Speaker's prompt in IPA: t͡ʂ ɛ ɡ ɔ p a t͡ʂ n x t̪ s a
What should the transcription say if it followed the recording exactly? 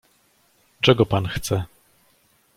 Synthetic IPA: t͡ʂ ɛ ɡ ɔ p a n x t̪ s ɛ

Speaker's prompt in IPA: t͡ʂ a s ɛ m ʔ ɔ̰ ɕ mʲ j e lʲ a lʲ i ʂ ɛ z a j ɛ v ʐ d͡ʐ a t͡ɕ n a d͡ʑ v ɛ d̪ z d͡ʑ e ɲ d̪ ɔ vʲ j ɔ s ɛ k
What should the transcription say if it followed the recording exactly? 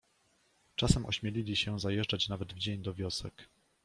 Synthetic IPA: t͡ʂ a s ɛ m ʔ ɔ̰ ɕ mʲ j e lʲ i lʲ i ɕ ɛ z a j ɛ ʐ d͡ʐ a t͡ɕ n a v ɛ d̪ v d͡ʑ e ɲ d̪ ɔ vʲ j ɔ s ɛ k

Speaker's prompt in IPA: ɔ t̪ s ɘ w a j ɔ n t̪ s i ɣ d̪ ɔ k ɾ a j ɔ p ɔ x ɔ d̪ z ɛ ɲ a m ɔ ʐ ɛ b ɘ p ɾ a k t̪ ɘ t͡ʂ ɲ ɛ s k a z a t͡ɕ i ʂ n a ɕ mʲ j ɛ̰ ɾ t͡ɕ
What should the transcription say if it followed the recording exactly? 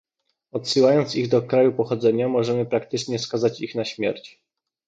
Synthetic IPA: ɔ t̪ s ɘ w a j ɔ n t̪ s i ɣ d̪ ɔ k ɾ a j u p ɔ x ɔ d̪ z ɛ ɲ a m ɔ ʐ ɛ m ɘ p ɾ a k t̪ ɘ t͡ʂ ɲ ɛ s k a z a t͡ɕ i x n a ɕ mʲ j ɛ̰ ɾ t͡ɕ

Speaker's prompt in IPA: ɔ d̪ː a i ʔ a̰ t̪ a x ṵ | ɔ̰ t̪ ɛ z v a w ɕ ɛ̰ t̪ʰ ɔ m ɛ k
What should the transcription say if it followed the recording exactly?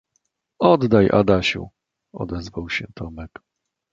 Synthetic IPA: ɔ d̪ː a j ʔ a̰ d̪ a ɕ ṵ | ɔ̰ d̪ ɛ z v a w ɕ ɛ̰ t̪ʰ ɔ m ɛ k

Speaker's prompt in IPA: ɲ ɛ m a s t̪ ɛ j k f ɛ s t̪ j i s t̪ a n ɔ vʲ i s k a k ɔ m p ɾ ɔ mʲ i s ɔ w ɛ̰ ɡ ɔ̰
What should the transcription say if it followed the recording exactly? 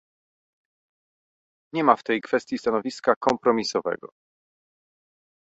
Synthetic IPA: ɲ ɛ m a f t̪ ɛ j k f ɛ s t̪ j i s t̪ a n ɔ vʲ i s k a k ɔ m p ɾ ɔ mʲ i s ɔ v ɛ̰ ɡ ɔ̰

